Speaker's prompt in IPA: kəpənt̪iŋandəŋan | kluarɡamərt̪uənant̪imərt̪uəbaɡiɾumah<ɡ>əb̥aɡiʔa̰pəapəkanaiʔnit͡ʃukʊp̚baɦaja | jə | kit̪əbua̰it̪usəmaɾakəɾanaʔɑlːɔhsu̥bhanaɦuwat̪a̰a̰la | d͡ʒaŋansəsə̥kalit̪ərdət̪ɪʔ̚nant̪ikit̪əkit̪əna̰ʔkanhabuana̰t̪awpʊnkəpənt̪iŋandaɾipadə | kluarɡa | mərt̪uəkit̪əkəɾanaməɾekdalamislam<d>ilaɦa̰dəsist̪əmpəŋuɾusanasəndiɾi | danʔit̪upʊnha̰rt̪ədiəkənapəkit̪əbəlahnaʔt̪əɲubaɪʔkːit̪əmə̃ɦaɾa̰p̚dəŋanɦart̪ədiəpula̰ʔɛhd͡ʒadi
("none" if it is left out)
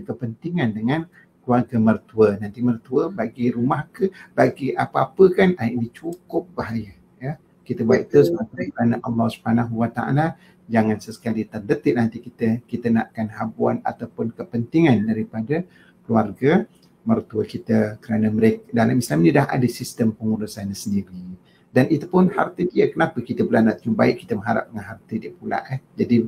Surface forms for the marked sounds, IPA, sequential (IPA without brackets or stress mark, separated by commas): k, n